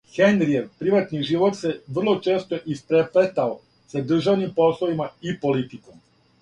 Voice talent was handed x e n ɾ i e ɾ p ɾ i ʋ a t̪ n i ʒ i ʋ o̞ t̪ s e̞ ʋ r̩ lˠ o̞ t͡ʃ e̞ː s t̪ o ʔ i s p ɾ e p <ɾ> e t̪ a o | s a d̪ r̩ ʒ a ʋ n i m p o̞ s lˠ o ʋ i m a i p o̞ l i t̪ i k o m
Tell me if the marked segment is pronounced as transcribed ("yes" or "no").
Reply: no